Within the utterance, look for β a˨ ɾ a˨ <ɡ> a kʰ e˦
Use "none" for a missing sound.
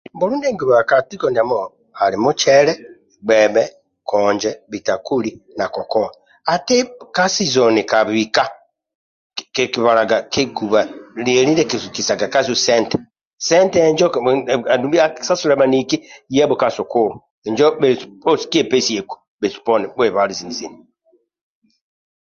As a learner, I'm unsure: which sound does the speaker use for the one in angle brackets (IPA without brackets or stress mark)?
ɡ